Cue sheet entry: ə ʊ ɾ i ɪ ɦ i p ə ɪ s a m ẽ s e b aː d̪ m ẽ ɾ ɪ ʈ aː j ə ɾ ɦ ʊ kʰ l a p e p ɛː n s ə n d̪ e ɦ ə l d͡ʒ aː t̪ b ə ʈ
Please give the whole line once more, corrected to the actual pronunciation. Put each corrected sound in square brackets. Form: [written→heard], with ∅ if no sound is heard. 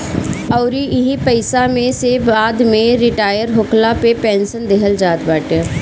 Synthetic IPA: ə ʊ ɾ i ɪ ɦ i p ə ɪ s a m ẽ s e b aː d̪ m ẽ ɾ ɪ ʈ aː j ə ɾ ɦ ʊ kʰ l a p e p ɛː n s ə n d̪ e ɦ ə l d͡ʒ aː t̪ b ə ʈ